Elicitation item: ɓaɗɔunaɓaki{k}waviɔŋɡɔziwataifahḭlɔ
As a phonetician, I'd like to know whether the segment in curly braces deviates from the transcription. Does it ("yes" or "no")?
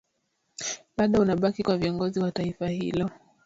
no